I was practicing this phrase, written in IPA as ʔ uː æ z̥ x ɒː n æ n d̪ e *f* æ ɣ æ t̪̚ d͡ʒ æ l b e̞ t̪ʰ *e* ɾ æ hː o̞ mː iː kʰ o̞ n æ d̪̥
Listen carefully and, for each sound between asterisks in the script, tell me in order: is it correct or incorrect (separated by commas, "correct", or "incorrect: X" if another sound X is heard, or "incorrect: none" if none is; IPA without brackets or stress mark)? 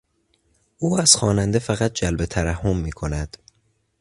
correct, incorrect: æ